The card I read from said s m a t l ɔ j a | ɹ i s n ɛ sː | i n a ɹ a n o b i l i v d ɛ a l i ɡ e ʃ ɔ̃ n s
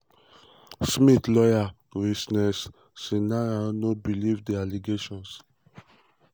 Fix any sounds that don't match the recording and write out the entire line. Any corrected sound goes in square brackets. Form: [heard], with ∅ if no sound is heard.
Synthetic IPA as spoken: s m [i] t l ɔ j a | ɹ i s n ɛ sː | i n a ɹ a n o b i l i v d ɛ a l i ɡ e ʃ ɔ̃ n s